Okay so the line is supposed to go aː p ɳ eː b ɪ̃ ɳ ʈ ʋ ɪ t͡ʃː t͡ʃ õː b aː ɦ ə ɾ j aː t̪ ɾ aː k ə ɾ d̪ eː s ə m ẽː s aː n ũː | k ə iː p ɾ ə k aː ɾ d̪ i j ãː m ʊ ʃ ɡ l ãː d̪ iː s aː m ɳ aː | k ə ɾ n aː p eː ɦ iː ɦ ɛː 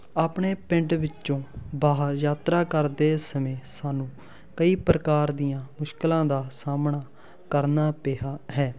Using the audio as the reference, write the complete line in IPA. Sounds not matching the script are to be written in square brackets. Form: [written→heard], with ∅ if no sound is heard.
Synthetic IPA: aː p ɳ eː [b→p] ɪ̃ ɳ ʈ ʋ ɪ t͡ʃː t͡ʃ õː b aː ɦ ə ɾ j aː t̪ ɾ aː k ə ɾ d̪ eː s ə m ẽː s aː n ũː | k ə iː p ɾ ə k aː ɾ d̪ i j ãː m ʊ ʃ [ɡ→k] l ãː d̪ [iː→aː] s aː m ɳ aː | k ə ɾ n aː p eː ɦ [iː→aː] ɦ ɛː